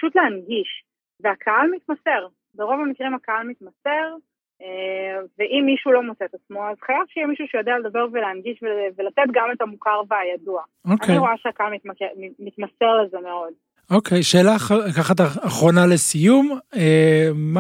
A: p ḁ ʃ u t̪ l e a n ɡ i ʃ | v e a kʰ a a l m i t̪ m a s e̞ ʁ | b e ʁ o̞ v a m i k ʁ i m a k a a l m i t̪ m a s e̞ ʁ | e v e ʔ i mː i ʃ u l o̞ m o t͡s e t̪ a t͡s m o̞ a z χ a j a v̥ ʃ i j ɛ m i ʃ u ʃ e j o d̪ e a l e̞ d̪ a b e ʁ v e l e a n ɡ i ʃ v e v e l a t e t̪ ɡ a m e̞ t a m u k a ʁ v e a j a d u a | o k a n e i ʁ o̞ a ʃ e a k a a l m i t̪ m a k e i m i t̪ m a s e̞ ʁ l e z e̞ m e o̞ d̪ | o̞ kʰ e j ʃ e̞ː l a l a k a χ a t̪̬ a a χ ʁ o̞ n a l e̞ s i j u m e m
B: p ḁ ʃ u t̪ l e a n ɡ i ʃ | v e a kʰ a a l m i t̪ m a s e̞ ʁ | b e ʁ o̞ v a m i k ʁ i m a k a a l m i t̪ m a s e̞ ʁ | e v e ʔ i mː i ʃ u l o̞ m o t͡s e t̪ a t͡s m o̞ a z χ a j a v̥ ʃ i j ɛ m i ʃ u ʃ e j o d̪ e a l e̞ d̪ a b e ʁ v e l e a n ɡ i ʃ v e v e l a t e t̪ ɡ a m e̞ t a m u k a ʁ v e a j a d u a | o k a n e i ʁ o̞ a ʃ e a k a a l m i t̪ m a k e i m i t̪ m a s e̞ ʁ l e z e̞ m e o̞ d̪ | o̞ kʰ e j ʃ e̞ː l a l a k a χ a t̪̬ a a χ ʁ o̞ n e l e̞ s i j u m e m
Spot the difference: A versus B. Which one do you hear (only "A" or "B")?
A